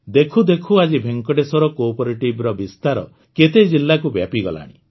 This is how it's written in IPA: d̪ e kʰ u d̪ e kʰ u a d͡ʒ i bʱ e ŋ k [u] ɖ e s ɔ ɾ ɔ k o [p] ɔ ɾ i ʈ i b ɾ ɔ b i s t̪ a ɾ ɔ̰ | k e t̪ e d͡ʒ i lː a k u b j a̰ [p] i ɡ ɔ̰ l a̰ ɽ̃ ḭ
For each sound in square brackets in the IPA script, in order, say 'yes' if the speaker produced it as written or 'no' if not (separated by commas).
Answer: no, yes, yes